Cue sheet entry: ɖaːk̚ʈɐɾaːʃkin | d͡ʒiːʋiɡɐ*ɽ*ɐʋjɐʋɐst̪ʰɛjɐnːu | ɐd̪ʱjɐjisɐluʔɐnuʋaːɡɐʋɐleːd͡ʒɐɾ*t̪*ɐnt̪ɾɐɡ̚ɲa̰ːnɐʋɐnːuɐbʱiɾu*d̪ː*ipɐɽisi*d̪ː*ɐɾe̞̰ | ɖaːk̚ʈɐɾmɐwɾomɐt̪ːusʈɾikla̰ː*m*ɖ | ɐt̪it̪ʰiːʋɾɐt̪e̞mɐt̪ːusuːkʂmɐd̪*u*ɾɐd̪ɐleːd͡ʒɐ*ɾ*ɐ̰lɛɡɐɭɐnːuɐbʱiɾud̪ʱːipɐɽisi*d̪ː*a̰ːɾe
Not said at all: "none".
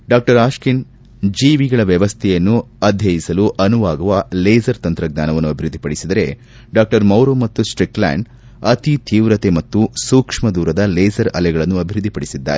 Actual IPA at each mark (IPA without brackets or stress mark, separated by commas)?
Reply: ɭ, t̪, d̪ː, d̪, ɳ, uː, ɾ, d̪ː